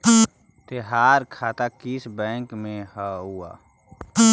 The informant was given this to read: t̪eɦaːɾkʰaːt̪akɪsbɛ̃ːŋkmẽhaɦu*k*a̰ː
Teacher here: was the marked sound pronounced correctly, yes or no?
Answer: no